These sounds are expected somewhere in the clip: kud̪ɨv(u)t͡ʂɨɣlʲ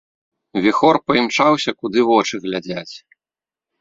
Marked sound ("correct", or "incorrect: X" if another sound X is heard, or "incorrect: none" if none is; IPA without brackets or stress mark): incorrect: ɔ